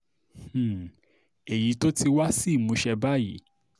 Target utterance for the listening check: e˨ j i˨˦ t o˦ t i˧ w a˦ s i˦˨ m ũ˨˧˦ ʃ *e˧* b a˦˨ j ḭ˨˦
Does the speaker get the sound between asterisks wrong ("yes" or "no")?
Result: yes